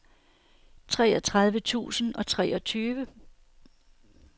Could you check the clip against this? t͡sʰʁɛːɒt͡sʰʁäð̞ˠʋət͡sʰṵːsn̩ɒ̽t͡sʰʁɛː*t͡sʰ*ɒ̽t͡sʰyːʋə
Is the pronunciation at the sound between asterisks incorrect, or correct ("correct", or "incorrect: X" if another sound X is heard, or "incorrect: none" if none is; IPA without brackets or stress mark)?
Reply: incorrect: none